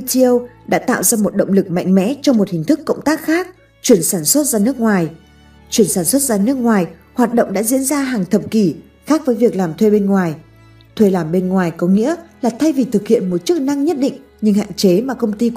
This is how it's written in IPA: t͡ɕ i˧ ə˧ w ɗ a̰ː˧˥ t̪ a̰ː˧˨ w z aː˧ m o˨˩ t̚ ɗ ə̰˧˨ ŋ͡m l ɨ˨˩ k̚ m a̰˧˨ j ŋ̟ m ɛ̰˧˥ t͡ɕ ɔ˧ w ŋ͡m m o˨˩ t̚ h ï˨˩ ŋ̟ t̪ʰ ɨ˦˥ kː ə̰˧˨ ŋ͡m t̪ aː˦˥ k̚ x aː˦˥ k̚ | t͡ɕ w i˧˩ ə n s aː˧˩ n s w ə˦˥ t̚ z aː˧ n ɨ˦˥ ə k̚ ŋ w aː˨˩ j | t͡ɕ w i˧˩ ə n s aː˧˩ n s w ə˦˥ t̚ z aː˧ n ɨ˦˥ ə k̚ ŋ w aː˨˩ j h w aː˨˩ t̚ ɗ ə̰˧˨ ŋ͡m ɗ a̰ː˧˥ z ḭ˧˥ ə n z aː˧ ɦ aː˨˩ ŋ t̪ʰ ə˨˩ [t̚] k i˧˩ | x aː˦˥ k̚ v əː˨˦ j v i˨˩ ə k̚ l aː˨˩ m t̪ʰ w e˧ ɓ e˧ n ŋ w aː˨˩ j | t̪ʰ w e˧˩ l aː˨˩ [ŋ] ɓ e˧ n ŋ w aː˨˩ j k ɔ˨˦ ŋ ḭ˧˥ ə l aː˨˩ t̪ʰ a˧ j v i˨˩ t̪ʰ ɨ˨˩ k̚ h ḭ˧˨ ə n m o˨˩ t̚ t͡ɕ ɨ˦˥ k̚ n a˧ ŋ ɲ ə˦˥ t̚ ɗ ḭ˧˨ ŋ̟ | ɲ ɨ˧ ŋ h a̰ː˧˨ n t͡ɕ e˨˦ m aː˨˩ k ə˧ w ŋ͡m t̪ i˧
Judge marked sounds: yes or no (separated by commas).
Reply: no, no